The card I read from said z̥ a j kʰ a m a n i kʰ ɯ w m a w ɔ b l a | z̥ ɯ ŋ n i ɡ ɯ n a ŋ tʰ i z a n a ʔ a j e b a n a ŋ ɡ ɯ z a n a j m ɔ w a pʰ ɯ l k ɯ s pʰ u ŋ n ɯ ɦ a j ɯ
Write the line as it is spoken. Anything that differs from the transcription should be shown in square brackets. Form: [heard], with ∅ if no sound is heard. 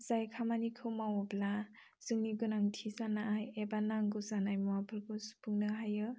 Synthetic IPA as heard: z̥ a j kʰ a m a n i kʰ ɯ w m a w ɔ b l a | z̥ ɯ ŋ n i ɡ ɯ n a ŋ tʰ i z a n a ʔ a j e b a n a ŋ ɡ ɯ z a n a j m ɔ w a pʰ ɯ l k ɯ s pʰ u ŋ n ɯ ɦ a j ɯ